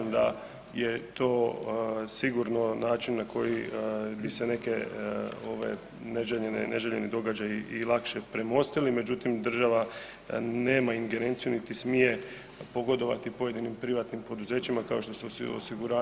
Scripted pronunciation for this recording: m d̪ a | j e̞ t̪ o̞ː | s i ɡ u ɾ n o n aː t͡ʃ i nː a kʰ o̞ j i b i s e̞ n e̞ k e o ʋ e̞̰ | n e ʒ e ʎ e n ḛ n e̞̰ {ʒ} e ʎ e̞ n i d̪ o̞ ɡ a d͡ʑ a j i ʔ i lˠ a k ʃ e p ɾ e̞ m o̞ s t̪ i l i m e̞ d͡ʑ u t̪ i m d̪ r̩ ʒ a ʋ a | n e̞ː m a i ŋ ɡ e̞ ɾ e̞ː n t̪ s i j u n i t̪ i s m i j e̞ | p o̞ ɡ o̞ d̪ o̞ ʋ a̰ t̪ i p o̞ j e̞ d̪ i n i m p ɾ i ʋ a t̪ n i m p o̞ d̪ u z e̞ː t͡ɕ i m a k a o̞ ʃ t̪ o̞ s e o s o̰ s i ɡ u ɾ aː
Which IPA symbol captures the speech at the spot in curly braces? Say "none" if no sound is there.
ʒ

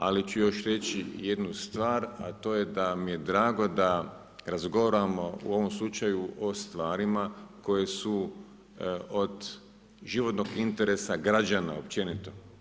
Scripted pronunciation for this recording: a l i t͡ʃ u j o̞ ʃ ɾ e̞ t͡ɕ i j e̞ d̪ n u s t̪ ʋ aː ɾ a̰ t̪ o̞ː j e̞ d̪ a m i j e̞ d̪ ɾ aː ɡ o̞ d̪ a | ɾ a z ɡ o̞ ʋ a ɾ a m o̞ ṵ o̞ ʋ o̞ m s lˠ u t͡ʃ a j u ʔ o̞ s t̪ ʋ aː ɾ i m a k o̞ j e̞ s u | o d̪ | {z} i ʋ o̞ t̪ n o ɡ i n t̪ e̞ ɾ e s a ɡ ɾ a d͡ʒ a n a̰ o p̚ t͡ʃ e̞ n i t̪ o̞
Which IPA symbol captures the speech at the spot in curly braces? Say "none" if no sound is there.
ʒ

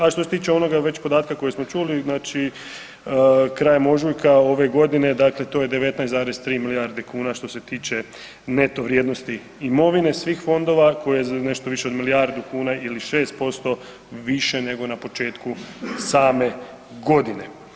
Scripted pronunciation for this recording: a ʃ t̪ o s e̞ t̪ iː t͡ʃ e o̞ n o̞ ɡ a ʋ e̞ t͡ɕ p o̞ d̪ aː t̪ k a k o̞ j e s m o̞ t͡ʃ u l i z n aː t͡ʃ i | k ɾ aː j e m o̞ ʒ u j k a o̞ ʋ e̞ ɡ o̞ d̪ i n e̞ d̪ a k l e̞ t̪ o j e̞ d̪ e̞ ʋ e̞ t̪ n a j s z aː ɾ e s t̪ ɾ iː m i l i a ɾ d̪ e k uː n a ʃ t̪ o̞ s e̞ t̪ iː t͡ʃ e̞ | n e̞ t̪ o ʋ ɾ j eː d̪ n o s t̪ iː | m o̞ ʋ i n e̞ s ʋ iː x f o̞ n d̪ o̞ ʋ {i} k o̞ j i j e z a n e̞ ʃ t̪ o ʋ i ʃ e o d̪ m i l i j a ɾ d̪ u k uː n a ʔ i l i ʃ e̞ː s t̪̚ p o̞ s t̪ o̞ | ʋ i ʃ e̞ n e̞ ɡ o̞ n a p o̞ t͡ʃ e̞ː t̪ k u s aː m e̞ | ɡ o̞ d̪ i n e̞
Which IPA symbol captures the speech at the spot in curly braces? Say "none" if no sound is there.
a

